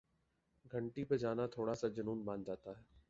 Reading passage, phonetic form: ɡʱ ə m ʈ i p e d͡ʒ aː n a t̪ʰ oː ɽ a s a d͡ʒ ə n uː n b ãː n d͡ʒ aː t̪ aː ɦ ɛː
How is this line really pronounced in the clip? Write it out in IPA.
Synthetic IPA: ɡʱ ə ɳ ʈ i p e d͡ʒ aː n a t̪ʰ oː ɽ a s a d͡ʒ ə n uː n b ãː n d͡ʒ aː t̪ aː ɦ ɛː